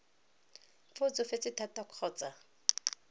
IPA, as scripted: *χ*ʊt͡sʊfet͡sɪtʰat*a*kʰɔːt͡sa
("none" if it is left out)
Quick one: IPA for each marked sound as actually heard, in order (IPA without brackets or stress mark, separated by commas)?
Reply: f, a